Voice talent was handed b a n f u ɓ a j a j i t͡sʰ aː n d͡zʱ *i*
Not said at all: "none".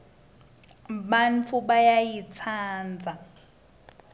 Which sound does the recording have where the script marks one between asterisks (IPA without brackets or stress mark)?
a